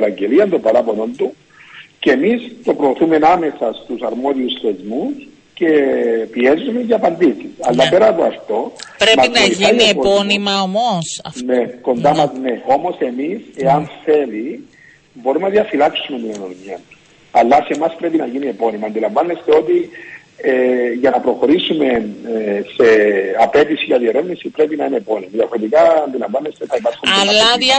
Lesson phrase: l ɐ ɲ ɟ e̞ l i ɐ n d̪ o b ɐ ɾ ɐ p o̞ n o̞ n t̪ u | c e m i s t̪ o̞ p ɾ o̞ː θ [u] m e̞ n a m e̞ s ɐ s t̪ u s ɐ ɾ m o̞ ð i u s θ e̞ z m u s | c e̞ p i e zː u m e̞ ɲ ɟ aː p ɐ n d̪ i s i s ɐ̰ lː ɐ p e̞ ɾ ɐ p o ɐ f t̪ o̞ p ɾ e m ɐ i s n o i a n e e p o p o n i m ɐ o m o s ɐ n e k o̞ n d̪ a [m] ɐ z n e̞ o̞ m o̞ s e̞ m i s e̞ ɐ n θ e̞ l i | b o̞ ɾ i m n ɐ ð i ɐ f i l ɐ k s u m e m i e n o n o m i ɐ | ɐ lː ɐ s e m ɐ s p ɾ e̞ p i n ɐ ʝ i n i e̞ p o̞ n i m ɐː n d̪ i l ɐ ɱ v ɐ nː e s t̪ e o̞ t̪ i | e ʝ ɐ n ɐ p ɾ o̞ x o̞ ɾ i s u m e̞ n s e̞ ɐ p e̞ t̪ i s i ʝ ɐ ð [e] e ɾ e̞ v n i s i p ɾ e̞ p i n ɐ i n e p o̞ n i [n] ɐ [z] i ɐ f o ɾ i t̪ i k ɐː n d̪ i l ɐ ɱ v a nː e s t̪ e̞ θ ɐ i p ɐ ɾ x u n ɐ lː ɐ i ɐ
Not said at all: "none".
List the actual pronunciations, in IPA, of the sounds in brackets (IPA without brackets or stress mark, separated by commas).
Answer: u, m, i, m, ð